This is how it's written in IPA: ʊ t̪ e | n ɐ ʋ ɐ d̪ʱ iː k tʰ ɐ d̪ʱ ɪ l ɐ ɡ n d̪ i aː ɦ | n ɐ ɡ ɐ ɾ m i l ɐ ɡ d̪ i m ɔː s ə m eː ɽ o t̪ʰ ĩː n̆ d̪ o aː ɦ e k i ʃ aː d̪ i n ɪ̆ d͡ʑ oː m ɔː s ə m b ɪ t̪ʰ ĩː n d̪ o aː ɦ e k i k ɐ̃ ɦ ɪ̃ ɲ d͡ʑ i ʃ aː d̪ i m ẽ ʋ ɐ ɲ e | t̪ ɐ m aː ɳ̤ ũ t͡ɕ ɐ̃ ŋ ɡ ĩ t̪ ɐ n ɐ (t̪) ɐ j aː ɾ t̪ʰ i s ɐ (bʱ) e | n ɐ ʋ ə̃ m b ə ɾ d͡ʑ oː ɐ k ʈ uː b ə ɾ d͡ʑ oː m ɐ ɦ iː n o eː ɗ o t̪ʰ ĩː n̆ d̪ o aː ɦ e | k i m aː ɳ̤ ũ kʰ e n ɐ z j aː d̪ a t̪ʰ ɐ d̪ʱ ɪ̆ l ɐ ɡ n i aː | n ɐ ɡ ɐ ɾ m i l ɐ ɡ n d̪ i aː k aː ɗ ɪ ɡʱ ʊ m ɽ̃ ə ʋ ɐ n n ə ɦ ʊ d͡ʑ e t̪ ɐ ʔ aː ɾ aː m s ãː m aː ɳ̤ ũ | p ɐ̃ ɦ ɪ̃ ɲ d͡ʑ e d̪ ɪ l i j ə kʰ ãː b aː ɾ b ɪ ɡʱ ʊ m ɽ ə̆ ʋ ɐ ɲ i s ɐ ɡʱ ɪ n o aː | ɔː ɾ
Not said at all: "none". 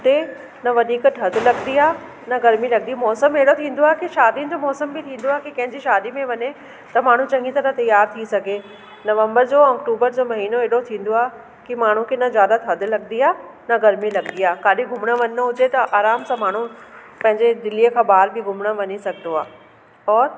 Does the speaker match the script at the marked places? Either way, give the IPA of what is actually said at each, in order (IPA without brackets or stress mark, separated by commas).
t̪, ɡʱ